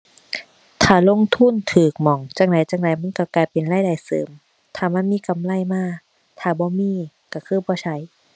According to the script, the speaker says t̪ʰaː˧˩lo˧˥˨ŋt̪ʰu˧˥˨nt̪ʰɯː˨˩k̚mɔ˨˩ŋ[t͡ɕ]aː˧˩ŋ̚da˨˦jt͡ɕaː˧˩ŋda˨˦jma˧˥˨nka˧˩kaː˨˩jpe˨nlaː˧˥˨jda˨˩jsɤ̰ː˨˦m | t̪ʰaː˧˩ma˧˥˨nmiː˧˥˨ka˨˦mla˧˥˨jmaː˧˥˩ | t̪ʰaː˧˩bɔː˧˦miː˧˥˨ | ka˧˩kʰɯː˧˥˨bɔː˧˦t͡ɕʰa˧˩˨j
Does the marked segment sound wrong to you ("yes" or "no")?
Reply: no